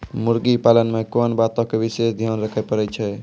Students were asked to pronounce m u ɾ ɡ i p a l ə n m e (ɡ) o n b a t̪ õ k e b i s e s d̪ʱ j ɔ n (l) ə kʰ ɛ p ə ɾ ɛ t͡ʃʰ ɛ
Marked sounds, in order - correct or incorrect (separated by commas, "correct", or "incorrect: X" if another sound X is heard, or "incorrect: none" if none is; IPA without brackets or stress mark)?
incorrect: k, incorrect: ɾ